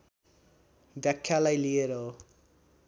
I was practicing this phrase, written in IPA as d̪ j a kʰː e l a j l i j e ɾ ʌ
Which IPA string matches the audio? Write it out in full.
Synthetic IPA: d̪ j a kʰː a l a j l i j e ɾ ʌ